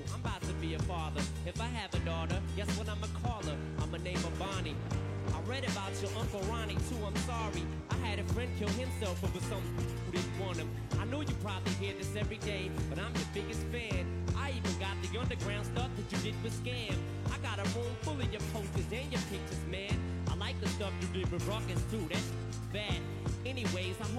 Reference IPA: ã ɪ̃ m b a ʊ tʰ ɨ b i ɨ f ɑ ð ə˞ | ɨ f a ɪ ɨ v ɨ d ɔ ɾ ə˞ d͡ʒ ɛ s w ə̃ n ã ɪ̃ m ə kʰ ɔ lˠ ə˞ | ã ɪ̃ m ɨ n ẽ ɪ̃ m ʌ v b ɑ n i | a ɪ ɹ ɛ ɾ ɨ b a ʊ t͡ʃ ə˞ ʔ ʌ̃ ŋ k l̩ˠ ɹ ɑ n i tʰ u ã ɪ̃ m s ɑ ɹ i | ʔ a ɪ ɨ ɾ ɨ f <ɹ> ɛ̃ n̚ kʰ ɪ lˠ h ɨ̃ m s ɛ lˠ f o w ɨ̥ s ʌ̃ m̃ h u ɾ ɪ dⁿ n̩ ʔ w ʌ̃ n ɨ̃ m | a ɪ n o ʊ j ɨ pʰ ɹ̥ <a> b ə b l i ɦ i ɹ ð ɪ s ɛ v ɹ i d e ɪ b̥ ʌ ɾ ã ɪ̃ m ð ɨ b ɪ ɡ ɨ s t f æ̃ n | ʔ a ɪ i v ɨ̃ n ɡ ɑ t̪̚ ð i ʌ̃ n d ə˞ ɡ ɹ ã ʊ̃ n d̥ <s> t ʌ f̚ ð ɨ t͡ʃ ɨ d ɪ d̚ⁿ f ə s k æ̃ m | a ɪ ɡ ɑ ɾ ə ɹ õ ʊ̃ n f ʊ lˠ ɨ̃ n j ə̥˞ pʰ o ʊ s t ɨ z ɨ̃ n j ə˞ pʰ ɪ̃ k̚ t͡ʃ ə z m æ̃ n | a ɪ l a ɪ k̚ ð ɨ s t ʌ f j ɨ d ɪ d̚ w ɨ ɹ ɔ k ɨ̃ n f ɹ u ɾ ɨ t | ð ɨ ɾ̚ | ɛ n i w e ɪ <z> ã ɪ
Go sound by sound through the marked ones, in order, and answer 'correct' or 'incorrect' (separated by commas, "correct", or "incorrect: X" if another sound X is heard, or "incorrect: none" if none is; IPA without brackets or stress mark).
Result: correct, incorrect: ɑ, correct, correct